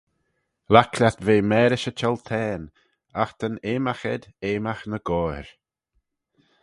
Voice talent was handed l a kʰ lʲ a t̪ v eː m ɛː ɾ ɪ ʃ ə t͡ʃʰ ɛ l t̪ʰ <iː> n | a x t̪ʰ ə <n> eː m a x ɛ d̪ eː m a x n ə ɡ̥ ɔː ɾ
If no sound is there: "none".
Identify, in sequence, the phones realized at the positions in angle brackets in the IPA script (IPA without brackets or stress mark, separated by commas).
ɛː, n